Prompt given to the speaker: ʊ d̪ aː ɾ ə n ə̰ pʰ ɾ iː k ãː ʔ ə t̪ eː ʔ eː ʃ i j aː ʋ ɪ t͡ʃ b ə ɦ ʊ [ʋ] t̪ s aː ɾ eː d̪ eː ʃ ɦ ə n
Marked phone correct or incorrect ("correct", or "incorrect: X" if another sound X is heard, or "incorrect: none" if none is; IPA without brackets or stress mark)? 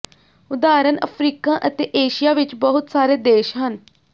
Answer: incorrect: none